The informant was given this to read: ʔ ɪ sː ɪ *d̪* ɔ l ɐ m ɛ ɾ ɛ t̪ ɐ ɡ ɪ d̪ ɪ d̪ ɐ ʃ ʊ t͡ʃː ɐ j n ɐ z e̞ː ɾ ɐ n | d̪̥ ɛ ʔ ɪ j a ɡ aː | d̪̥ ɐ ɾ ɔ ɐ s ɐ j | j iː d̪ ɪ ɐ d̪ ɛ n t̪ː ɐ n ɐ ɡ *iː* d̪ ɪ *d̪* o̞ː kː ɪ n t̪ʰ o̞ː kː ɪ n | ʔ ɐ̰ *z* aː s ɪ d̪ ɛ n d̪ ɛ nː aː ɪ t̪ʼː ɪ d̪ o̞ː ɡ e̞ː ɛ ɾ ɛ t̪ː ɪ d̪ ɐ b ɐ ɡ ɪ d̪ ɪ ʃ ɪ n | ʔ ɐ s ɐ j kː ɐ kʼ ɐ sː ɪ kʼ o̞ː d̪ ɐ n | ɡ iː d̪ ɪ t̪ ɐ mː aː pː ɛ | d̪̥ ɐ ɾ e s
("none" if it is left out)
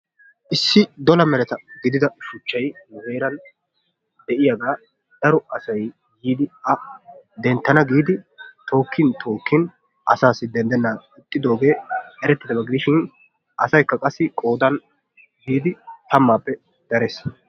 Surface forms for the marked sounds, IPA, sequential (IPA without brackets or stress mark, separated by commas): d̪, iː, t̪, s